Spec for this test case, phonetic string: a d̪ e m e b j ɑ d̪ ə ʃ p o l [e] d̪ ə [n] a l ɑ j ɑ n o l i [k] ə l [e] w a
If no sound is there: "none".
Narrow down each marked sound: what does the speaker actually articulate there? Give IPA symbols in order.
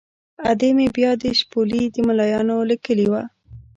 i, m, k, i

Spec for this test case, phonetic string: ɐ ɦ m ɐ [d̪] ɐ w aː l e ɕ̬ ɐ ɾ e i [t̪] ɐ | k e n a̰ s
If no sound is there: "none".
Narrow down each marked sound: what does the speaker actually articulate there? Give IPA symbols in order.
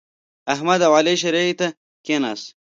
d̪, t̪

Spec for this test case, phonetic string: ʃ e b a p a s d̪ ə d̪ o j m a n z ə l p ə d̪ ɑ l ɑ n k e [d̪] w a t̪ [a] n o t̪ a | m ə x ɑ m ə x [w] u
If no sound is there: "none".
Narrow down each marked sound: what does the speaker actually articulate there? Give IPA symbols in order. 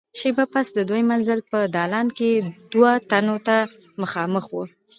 d̪, a, w

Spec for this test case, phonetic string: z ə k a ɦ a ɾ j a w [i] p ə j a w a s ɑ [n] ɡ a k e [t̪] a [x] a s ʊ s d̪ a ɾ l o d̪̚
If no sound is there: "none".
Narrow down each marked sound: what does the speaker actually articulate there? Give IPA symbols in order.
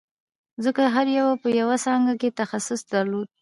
a, ŋ, t̪, x

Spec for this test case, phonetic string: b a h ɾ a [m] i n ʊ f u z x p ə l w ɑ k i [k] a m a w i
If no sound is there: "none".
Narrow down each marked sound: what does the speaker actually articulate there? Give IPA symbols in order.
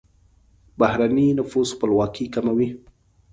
n, k

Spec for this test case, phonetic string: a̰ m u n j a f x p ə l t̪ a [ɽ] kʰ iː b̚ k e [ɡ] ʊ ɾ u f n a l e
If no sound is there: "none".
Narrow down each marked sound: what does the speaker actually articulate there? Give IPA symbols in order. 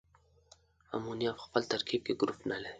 ɾ, ɡ

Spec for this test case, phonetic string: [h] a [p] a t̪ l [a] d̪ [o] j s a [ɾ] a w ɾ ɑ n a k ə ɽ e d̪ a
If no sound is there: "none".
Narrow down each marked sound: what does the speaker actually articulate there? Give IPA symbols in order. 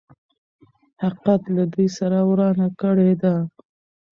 h, q, a, u, ɾ

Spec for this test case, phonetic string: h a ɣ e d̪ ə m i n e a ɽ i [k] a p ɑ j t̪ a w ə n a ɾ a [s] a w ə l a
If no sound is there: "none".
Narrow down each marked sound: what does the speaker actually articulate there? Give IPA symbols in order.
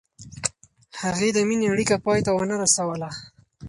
k, s

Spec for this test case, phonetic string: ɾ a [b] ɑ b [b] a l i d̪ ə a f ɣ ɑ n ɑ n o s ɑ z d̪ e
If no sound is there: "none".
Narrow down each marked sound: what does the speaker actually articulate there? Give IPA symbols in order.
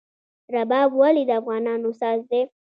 b, w

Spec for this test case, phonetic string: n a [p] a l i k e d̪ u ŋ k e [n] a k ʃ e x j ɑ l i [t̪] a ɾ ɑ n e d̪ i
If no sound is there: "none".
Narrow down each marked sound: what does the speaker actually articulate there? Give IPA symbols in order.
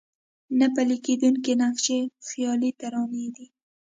p, n, t̪

